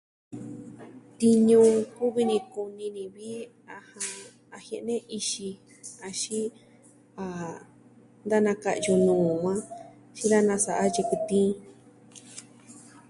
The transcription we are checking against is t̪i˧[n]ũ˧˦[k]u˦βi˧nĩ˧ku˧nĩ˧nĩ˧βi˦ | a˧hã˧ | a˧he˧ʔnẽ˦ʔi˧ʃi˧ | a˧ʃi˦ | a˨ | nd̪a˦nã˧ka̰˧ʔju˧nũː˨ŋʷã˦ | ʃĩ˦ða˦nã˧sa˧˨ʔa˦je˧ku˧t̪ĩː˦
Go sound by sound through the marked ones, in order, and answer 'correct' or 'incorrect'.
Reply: incorrect: ɲ, correct

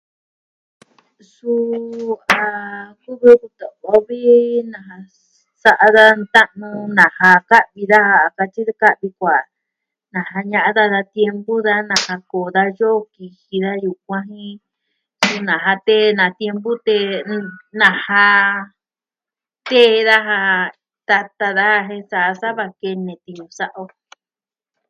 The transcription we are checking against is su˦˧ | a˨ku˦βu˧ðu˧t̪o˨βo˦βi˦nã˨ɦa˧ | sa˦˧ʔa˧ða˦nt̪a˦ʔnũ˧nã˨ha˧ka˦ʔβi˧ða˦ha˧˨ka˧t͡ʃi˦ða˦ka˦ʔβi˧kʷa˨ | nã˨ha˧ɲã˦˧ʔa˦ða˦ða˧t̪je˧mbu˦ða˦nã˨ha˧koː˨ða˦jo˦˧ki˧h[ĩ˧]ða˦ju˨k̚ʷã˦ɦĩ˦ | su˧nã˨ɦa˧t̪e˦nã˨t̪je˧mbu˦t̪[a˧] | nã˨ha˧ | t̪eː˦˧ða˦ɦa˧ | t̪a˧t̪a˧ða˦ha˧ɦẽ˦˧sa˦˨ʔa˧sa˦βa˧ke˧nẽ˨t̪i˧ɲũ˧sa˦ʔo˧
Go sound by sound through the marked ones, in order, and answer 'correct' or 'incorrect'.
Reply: incorrect: i˧, incorrect: e˧

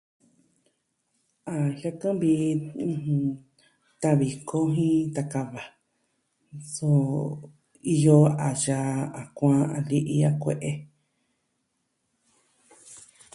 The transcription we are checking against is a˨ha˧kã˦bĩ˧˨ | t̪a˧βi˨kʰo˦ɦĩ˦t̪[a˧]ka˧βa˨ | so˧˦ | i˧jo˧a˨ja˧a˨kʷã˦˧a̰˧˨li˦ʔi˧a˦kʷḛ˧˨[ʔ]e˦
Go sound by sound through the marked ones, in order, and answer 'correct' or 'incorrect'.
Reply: correct, correct

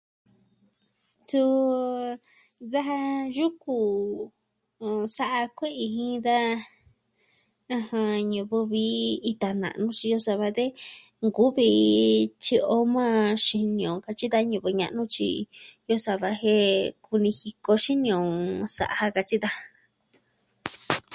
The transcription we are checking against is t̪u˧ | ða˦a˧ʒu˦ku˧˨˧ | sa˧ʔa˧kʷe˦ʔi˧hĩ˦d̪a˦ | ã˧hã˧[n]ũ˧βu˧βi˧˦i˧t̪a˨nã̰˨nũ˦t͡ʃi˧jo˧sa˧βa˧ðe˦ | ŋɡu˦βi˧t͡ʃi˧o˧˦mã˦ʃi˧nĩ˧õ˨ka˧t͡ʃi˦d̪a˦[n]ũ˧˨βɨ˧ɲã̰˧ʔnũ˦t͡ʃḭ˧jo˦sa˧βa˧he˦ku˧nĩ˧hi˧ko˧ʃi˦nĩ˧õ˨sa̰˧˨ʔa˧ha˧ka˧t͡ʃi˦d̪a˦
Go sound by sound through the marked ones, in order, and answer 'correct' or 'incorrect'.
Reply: incorrect: ɲ, incorrect: ɲ

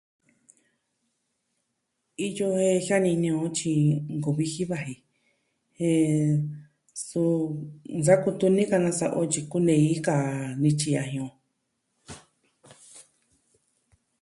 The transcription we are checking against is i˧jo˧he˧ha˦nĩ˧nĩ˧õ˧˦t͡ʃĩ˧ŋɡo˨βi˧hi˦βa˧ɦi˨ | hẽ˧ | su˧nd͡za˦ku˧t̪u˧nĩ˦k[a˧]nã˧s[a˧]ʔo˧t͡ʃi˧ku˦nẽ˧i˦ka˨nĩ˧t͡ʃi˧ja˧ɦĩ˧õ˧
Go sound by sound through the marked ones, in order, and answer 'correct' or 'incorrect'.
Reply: correct, correct

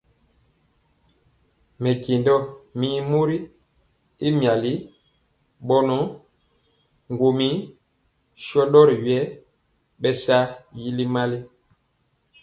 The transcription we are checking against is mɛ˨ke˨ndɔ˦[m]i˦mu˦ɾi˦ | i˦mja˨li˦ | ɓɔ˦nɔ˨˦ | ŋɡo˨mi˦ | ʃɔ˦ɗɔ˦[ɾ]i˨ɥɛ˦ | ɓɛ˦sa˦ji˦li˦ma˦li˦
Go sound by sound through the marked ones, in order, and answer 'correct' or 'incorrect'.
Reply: correct, correct

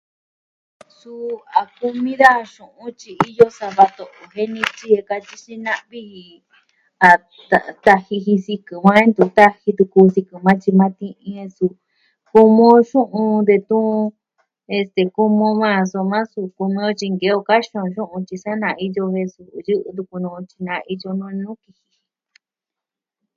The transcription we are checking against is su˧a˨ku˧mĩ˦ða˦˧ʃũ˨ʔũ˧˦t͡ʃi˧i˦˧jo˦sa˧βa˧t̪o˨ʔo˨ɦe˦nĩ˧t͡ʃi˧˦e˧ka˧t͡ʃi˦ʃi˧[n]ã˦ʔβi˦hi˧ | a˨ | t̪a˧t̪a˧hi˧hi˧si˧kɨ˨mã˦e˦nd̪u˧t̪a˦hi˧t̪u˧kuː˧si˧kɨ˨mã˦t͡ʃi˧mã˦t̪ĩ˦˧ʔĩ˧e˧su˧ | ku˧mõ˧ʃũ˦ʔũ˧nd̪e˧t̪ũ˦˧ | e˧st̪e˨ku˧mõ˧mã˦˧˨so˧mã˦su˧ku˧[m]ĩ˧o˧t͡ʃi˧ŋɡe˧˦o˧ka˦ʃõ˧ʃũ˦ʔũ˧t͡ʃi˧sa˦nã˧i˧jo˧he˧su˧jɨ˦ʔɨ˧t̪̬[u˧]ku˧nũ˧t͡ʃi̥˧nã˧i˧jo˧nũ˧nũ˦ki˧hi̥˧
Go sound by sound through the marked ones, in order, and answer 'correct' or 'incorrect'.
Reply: correct, correct, correct

